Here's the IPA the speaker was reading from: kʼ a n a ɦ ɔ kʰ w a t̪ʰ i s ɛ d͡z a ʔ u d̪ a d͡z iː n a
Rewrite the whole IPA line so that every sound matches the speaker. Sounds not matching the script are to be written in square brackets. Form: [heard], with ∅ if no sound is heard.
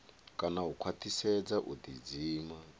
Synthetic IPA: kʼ a n a ɦ [u] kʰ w a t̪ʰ i s ɛ d͡z a ʔ u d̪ [i] d͡z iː [m] a